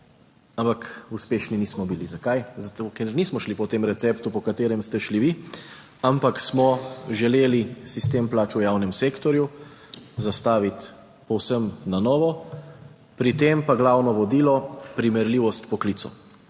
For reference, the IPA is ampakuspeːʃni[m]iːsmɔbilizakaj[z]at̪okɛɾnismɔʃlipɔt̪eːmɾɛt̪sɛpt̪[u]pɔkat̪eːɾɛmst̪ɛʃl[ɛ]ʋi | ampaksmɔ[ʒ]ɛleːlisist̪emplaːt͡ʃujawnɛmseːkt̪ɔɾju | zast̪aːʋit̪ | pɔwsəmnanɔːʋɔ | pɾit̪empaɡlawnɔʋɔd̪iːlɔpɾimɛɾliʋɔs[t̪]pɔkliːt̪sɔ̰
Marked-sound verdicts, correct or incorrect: incorrect, correct, correct, incorrect, correct, correct

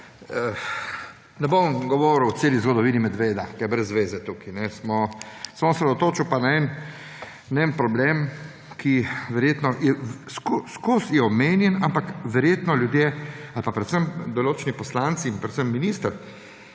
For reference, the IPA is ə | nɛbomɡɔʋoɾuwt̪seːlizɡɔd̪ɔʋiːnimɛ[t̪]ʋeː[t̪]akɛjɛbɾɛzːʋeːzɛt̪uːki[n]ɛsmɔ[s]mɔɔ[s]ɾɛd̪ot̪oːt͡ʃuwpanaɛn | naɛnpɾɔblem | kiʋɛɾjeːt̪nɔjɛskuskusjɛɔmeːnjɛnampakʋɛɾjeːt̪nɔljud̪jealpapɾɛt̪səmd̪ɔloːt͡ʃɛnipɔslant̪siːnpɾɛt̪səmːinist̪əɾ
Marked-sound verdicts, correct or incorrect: incorrect, incorrect, correct, correct, correct

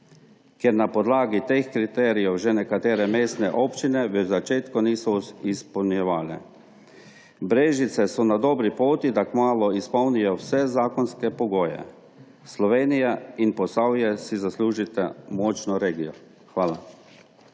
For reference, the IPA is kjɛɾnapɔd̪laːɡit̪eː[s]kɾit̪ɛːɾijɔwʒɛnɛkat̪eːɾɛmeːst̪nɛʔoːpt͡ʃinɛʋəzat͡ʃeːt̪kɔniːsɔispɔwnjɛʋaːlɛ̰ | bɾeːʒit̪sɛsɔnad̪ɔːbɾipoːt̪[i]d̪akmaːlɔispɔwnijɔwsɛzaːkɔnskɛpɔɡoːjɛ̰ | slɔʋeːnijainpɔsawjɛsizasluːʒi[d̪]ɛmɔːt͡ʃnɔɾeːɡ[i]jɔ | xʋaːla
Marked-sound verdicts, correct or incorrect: incorrect, correct, incorrect, correct

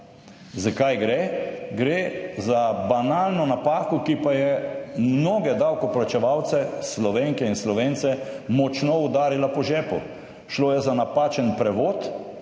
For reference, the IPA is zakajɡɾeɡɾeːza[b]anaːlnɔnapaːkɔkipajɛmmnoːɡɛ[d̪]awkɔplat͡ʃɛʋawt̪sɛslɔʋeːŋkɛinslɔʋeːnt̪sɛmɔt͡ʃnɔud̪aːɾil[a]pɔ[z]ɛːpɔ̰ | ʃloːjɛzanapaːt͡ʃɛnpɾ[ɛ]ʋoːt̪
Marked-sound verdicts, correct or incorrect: correct, correct, correct, incorrect, correct

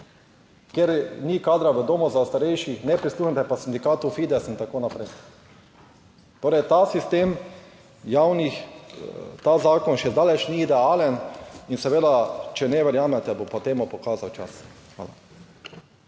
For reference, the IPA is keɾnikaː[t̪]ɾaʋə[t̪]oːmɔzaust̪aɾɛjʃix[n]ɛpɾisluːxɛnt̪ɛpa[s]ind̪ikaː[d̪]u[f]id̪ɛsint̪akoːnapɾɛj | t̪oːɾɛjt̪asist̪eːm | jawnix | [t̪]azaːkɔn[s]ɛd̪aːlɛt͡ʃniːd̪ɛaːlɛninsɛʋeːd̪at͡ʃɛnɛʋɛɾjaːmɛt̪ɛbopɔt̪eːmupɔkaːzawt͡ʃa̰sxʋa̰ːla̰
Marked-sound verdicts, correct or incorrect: incorrect, incorrect, correct, correct, incorrect, correct, correct, incorrect

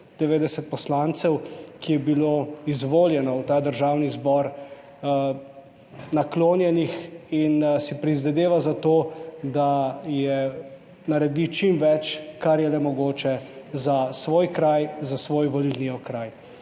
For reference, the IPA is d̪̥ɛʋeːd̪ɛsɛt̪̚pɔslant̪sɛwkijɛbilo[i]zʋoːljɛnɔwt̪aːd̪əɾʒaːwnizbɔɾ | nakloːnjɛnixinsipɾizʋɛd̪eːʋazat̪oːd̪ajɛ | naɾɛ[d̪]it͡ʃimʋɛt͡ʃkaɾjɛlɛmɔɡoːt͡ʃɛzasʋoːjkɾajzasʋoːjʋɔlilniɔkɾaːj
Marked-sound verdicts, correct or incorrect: correct, correct

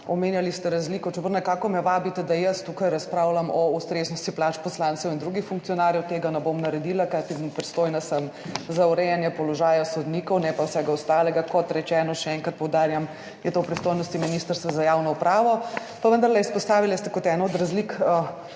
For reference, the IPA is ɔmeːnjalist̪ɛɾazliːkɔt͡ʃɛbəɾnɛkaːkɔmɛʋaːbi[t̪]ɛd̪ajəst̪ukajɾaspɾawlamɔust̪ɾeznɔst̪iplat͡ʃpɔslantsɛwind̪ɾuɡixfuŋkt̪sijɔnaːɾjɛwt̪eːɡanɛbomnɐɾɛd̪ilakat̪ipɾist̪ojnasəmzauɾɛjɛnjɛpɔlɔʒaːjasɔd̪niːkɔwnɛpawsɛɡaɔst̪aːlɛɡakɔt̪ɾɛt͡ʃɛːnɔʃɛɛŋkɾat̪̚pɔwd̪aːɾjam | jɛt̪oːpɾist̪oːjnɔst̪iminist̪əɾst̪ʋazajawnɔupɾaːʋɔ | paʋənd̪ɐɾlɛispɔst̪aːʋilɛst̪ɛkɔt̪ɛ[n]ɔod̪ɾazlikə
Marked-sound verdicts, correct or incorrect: correct, correct

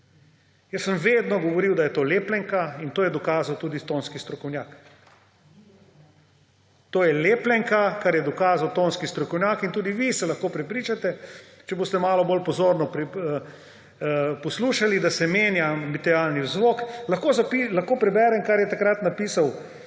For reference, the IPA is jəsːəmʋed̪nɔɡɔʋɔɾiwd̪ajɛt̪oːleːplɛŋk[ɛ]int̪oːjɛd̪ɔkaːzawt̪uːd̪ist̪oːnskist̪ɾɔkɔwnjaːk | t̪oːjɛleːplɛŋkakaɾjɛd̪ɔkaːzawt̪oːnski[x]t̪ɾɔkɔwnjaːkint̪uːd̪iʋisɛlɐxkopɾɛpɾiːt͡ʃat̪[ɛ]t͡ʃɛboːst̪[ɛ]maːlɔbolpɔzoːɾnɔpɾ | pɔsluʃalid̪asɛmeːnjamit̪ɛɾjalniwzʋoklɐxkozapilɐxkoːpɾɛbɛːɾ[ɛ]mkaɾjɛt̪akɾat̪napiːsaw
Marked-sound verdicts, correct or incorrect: incorrect, incorrect, correct, correct, correct

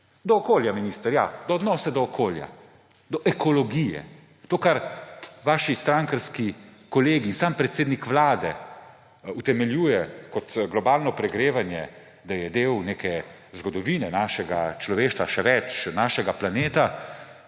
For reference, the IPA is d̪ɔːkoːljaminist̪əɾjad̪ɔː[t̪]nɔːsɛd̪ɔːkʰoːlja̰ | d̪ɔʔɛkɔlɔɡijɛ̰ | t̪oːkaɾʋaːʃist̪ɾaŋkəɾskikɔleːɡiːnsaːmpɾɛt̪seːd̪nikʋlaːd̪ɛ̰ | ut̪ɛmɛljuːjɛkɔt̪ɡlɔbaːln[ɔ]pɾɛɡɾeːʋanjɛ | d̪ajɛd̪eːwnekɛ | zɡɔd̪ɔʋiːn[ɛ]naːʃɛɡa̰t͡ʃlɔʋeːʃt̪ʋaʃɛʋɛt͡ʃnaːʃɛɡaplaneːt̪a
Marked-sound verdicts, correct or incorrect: incorrect, correct, correct

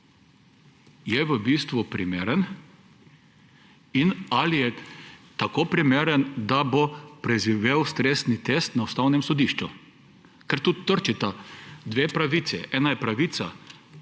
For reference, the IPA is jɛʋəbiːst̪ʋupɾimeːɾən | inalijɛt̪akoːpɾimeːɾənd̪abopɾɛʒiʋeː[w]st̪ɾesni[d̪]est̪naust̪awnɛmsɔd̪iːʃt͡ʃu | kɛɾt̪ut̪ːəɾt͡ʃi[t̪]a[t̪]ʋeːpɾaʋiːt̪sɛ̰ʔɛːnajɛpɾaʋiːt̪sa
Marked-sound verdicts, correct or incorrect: correct, incorrect, correct, incorrect

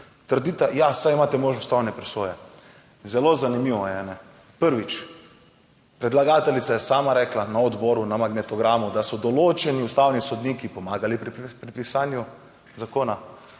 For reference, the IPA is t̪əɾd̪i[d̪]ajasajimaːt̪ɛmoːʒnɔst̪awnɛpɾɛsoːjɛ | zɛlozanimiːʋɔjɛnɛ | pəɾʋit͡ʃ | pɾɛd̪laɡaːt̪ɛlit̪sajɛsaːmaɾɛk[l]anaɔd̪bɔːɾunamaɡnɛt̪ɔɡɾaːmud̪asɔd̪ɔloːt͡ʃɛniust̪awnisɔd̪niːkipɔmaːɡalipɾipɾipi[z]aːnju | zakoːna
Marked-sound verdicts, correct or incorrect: incorrect, correct, incorrect

